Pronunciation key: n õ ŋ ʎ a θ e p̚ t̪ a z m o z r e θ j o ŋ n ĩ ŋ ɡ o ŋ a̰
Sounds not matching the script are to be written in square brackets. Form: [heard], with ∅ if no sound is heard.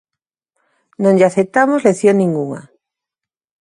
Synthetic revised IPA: n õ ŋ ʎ a θ e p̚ t̪ a [∅] m o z [l] e θ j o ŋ n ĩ ŋ ɡ [u] ŋ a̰